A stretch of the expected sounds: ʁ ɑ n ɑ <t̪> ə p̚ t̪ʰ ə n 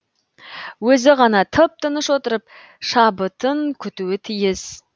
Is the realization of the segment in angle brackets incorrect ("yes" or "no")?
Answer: yes